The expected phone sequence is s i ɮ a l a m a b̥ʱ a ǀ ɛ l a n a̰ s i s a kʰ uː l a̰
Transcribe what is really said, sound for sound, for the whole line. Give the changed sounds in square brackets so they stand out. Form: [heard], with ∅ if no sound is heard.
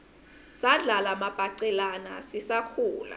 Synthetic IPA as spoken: s [a] ɮ a l a m a b̥ʱ a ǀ ɛ l a n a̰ s i s a kʰ uː l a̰